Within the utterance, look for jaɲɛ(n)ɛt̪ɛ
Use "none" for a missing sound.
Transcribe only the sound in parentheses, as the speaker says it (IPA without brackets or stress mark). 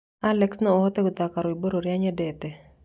d